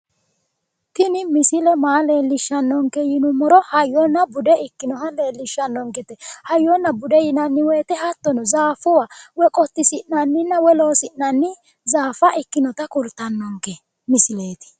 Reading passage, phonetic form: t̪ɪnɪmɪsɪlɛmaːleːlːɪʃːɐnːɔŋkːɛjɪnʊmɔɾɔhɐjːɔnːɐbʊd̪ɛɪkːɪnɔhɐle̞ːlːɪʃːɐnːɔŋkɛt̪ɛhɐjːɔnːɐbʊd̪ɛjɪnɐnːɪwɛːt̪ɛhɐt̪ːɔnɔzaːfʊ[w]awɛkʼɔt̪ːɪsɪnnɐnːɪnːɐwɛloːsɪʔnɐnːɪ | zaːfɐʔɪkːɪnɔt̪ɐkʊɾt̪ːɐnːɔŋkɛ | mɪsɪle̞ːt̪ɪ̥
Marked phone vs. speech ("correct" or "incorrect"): correct